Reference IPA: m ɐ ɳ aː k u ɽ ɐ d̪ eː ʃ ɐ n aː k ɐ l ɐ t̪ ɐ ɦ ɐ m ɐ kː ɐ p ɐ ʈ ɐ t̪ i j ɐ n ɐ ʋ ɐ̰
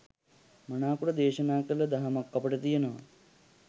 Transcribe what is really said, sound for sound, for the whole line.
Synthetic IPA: m ɐ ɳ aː k u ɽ ɐ d̪ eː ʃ ɐ n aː k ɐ l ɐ d̪ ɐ ɦ ɐ m ɐ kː ɐ p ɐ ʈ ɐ t̪ i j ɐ n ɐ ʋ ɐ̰